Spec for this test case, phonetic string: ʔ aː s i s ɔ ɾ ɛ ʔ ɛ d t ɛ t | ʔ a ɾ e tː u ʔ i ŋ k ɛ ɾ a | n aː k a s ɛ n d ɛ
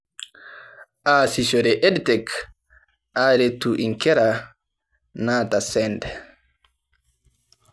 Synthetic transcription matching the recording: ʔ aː s i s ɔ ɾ ɛ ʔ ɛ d t ɛ k | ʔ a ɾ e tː u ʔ i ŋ k ɛ ɾ a | n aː t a s ɛ n d ɛ